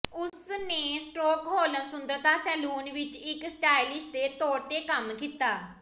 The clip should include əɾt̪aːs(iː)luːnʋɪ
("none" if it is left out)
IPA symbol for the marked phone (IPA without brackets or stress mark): ɛː